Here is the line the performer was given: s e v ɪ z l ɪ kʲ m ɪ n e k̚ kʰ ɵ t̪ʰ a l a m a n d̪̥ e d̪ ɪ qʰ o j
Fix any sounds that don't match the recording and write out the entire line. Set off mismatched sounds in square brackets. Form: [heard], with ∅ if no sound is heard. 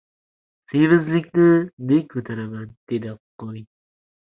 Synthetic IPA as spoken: s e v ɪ z l ɪ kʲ [n] ɪ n e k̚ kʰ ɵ t̪ʰ a [ɾ] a m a n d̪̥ e d̪ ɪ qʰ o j